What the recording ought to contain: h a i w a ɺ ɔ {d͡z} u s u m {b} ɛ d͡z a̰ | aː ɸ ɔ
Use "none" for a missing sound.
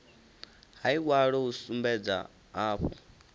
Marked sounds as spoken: none, b

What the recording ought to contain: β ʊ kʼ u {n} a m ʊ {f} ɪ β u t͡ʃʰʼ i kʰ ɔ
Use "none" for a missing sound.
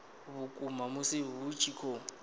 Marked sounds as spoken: m, s

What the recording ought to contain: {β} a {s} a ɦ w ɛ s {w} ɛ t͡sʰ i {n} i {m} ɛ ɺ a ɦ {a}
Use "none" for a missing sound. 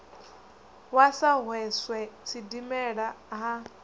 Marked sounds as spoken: w, s, w, d, m, a

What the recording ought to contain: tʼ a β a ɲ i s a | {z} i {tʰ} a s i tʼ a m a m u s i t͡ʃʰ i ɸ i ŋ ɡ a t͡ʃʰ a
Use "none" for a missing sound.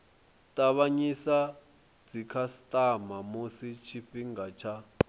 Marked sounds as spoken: d͡z, kʰ

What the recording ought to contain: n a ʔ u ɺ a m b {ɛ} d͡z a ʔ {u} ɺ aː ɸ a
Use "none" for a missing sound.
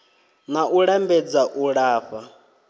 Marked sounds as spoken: ɛ, u

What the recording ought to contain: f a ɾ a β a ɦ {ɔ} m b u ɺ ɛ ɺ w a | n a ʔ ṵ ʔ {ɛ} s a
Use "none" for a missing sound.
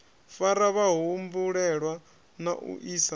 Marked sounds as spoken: u, i

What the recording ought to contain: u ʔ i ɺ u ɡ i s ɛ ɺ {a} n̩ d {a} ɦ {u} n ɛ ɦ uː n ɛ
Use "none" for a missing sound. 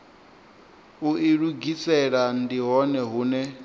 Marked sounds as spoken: a, i, ɔ

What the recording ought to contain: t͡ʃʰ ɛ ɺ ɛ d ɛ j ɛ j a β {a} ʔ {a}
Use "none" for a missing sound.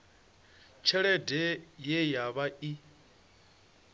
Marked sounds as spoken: a, i

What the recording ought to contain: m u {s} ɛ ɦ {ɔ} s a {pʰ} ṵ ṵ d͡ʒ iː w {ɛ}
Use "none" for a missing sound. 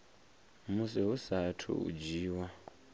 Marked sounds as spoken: s, u, tʰ, a

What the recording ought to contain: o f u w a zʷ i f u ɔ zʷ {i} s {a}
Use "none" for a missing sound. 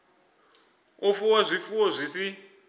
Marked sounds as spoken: i, i

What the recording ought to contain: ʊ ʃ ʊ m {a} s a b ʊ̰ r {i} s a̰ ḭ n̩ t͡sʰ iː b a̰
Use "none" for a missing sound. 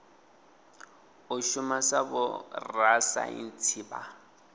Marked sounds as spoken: a, a

